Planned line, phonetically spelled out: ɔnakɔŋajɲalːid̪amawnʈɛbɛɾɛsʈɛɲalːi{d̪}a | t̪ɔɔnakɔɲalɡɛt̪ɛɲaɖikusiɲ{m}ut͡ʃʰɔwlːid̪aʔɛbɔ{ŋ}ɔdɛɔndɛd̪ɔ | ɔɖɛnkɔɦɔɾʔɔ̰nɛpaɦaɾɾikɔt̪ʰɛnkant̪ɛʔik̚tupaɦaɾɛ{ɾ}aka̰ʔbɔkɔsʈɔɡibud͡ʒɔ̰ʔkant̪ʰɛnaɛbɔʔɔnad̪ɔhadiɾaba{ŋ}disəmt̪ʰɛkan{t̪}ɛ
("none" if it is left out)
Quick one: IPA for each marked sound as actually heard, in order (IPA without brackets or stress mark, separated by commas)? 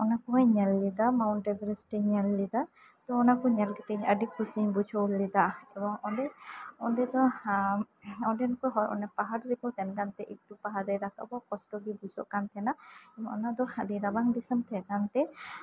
d̪, b, ŋ, ɾ, ŋ, t̪